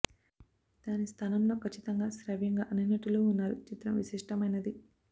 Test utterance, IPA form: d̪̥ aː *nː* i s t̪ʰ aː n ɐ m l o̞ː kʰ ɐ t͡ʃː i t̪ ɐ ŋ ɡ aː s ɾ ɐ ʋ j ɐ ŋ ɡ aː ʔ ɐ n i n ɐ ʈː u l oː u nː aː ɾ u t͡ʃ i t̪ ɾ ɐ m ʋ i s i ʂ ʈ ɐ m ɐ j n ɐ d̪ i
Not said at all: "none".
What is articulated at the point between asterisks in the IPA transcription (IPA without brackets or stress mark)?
n